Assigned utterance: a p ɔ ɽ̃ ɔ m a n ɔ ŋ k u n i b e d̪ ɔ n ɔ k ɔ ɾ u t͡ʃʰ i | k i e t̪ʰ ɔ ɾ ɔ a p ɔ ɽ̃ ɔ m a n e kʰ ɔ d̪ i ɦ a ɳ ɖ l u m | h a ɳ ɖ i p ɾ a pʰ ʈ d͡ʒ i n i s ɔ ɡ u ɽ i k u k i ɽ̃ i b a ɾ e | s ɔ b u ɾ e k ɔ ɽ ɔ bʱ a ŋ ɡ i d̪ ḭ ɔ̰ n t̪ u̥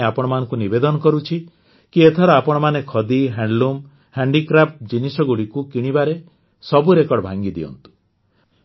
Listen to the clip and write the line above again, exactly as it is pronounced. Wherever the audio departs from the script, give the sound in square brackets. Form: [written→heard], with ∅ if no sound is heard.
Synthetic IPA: a p ɔ ɽ̃ ɔ m a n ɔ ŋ k u n i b e d̪ ɔ n ɔ k ɔ ɾ u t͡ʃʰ i | k i e t̪ʰ ɔ ɾ ɔ a p ɔ ɽ̃ ɔ m a n e kʰ ɔ d̪ i ɦ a ɳ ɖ l u m | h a ɳ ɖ i [p→k] ɾ a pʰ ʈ d͡ʒ i n i s ɔ ɡ u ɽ i k u k i ɽ̃ i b a ɾ e | s ɔ b u ɾ e k ɔ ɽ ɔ bʱ a ŋ ɡ i d̪ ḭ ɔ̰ n t̪ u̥